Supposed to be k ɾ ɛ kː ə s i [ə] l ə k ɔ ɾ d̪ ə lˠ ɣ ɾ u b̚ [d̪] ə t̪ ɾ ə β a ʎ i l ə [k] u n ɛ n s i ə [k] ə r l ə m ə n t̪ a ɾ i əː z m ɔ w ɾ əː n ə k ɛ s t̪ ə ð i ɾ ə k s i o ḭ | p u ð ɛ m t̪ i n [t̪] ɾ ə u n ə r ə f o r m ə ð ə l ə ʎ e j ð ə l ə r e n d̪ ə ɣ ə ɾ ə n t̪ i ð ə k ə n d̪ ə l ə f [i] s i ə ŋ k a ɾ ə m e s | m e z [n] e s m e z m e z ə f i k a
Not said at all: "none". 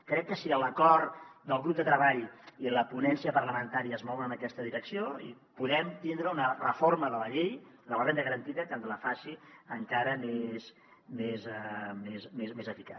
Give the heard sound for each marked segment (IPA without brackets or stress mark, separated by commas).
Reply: ə, d̪, p, p, d̪, a, m